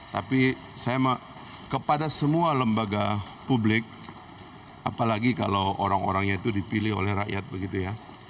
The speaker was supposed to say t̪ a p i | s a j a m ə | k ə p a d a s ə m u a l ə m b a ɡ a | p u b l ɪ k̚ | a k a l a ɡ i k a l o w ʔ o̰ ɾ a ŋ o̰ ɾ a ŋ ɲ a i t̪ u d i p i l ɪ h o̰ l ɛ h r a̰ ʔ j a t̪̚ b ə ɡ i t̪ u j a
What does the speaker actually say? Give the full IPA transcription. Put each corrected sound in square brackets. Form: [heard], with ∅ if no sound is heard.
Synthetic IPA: t̪ a p i | s a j a m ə | k ə p a d a s ə m u a l ə m b a ɡ a | p u b l ɪ k̚ | a [p] a l a ɡ i k a l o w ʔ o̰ ɾ a ŋ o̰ ɾ a ŋ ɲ a i t̪ u d i p i l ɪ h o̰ l ɛ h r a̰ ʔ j a t̪̚ b ə ɡ i t̪ u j a